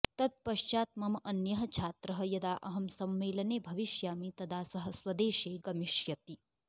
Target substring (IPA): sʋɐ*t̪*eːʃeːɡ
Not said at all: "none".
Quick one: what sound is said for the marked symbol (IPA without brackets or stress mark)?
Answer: d̪